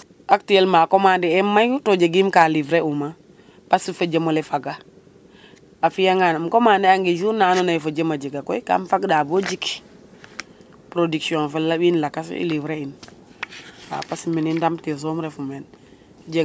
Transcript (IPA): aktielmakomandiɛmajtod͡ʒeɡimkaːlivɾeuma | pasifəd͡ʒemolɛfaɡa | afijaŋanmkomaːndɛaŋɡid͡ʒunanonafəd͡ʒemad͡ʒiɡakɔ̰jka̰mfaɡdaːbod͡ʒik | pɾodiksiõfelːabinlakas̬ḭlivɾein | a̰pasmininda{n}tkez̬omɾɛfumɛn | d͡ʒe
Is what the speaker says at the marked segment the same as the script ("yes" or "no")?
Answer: no